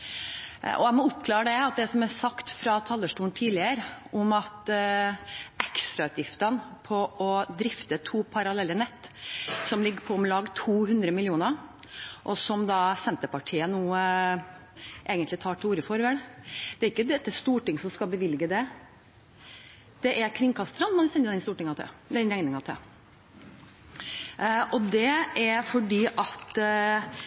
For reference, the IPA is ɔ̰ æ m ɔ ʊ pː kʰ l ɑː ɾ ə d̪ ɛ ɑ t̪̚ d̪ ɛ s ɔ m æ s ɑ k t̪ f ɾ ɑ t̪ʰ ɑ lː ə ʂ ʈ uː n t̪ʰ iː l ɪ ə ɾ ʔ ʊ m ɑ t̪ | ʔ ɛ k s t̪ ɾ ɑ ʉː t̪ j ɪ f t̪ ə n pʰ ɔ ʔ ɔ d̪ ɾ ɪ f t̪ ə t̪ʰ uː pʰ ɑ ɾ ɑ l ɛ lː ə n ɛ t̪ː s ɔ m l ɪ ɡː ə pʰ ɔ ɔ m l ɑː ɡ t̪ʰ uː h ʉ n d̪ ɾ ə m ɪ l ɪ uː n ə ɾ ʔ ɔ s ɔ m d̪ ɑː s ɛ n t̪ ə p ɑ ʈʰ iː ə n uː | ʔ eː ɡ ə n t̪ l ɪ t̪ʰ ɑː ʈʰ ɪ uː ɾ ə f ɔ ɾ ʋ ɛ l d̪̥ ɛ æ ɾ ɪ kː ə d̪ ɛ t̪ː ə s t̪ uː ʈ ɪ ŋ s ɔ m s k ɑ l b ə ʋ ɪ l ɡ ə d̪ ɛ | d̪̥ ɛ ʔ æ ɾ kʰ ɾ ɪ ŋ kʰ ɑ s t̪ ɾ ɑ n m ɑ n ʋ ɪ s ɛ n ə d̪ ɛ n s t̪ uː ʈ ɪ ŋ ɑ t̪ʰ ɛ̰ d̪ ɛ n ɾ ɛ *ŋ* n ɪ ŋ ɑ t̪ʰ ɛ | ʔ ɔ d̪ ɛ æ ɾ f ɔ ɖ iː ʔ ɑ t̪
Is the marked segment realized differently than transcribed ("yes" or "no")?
no